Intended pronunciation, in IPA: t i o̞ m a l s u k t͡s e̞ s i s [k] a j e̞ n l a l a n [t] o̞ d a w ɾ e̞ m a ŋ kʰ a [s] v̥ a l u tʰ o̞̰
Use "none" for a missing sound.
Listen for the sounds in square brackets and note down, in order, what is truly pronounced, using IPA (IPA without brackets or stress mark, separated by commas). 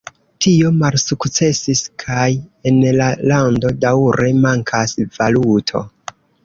kʰ, d, s